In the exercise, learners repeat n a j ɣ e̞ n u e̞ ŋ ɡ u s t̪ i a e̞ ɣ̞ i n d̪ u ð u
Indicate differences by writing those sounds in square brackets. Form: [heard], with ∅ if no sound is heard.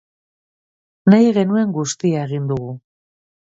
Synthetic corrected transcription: n a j ɣ e̞ n u e̞ ŋ ɡ u s t̪ i a e̞ ɣ̞ i n d̪ u [ɣ] u